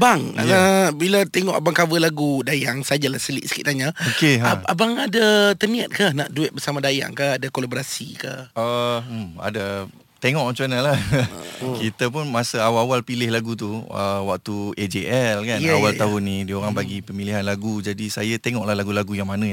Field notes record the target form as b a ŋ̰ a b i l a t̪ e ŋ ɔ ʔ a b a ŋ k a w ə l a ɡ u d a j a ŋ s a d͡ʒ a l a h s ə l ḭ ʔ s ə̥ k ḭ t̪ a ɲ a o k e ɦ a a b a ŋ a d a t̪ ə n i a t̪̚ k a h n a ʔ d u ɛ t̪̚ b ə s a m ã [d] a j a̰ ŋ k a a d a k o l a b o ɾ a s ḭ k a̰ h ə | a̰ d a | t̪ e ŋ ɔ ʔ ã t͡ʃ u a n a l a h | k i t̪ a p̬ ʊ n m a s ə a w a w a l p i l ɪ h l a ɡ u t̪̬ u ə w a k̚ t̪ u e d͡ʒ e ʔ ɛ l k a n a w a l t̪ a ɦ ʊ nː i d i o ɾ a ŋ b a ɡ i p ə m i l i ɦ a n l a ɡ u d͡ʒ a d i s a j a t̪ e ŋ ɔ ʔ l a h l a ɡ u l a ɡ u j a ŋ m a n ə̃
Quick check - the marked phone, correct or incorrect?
correct